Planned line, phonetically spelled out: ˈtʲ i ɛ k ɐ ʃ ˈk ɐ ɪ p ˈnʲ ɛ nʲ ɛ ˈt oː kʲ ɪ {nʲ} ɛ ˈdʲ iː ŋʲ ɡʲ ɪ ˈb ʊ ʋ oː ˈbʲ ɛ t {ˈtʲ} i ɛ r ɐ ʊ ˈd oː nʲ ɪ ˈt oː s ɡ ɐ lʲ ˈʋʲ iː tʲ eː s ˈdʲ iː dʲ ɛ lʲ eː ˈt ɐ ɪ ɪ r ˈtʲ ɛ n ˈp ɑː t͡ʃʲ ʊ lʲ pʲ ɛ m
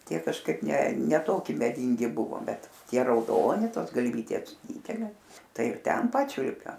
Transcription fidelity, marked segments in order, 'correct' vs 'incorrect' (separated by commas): incorrect, correct